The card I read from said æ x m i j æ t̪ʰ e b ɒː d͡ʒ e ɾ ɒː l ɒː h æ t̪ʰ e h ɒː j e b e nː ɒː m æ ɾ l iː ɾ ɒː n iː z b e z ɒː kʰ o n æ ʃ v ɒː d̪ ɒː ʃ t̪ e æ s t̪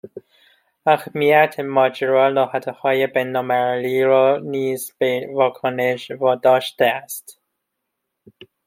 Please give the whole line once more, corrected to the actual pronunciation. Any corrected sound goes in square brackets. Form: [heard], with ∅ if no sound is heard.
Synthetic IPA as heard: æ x m i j æ t̪ʰ e [m] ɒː d͡ʒ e ɾ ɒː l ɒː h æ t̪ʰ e h ɒː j e b e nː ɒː m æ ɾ l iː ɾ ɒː n iː z b e [v] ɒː kʰ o n [e] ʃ v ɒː d̪ ɒː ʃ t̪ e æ s t̪